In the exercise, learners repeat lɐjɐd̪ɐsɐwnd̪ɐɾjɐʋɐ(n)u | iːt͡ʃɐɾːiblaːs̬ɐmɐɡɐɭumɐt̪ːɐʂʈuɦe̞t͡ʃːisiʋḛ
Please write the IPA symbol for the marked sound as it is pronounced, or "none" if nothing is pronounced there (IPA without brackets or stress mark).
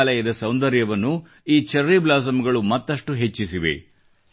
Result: nː